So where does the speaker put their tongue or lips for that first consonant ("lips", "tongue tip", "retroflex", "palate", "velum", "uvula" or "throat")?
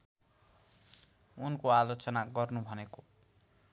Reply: tongue tip